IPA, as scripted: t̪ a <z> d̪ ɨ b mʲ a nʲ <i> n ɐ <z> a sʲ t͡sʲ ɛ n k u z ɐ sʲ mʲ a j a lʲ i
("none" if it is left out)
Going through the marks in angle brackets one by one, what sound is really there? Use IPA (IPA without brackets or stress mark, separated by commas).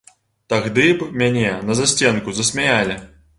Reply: ɣ, ɛ, z